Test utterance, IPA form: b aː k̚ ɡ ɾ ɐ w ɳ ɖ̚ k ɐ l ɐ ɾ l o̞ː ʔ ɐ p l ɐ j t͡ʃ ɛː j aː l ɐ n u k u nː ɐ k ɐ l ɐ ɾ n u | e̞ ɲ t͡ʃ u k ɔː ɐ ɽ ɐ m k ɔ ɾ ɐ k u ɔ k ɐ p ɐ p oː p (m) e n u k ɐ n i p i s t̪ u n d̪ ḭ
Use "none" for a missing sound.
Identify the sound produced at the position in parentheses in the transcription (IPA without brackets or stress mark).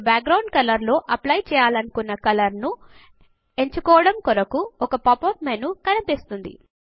m